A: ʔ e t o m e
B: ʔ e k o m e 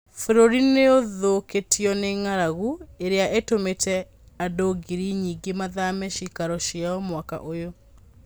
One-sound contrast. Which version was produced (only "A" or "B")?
A